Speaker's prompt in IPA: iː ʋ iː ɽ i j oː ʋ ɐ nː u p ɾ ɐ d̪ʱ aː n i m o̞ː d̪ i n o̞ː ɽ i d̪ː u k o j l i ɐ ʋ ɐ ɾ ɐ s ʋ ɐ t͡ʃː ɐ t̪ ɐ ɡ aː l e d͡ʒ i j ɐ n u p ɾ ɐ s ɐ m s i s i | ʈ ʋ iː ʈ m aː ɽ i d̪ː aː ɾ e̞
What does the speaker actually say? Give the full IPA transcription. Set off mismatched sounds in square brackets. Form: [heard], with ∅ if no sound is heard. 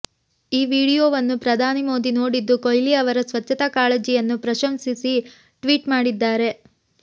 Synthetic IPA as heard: iː ʋ iː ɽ i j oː ʋ ɐ nː u p ɾ ɐ d̪ʱ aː n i m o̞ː d̪ i n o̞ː ɽ i d̪ː u k o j l i ɐ ʋ ɐ ɾ ɐ s ʋ ɐ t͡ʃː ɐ t̪ ɐ [k] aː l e d͡ʒ i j ɐ [nː] u p ɾ ɐ [ʃ] ɐ m s i s i | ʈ ʋ iː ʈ m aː ɽ i d̪ː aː ɾ e̞